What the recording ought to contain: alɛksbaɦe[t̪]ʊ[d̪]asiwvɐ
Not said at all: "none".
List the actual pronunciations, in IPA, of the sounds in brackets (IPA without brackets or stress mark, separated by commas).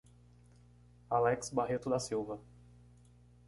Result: t̪, d̪